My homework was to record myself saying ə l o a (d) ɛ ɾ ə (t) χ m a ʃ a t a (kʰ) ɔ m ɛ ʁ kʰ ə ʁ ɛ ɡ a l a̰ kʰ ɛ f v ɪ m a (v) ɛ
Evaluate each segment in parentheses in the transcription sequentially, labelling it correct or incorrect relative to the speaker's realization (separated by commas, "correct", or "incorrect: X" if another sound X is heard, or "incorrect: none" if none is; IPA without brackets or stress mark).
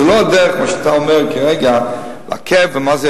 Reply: correct, incorrect: none, incorrect: none, incorrect: z